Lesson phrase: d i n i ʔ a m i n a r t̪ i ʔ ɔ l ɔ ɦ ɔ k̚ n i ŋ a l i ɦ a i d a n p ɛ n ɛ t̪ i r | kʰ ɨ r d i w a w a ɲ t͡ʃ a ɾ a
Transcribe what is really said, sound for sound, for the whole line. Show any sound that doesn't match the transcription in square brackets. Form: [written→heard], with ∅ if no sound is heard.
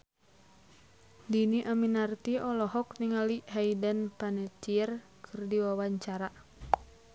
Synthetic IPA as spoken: d i n i ʔ a m i n a r t̪ i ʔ ɔ l ɔ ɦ ɔ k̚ n i ŋ a l i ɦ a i d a n p [ɛ→a] n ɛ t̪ i r | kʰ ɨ r d i w a w a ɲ t͡ʃ a ɾ a